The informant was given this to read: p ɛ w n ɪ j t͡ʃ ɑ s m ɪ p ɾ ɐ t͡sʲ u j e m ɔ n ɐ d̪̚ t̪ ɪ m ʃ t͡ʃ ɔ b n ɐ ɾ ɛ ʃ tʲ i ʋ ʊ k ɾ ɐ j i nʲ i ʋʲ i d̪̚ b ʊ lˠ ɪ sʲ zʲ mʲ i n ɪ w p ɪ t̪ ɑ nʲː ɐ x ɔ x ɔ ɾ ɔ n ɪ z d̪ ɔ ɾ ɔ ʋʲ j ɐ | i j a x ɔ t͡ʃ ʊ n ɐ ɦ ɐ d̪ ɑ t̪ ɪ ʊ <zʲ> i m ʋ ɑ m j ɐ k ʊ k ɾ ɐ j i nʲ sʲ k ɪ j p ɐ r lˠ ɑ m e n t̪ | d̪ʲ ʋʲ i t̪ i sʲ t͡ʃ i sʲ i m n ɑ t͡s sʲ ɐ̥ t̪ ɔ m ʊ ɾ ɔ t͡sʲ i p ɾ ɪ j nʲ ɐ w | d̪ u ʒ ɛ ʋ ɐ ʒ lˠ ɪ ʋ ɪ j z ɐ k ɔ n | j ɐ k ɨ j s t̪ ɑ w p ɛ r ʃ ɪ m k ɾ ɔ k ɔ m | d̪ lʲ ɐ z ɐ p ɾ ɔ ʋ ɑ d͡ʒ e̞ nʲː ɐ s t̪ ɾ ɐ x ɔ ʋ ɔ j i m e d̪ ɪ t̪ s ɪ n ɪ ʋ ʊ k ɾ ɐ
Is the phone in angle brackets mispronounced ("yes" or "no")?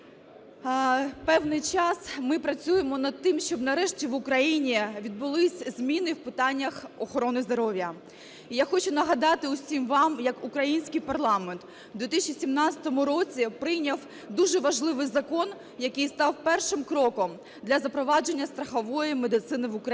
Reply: yes